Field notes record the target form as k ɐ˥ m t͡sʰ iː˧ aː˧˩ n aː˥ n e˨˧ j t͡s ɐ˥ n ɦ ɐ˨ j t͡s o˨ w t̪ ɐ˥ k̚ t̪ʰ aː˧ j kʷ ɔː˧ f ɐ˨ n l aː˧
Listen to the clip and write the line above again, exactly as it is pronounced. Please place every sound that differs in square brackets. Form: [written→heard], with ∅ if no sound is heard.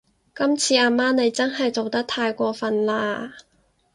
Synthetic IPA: k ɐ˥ m t͡sʰ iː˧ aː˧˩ [n→m] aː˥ n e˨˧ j t͡s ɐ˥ n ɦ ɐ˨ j t͡s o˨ w t̪ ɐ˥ k̚ t̪ʰ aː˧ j kʷ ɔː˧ f ɐ˨ n l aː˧